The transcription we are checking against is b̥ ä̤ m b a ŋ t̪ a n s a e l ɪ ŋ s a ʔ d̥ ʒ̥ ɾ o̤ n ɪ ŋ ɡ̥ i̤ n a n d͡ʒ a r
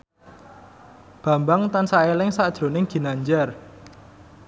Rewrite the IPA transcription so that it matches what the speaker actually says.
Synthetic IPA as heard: b̥ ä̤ m b a ŋ t̪ a n s a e l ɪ ŋ s a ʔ d̥ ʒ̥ ɾ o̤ n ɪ ŋ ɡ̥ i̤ n a ɲ d͡ʒ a r